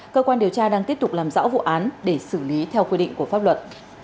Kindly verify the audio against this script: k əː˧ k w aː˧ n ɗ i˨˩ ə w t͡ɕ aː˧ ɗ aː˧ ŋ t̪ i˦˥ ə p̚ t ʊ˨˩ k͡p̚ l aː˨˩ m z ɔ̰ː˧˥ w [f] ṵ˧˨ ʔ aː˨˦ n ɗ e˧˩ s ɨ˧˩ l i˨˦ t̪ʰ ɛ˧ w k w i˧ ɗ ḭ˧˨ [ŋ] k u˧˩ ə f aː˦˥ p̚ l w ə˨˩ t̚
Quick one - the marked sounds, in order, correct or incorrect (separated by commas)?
incorrect, correct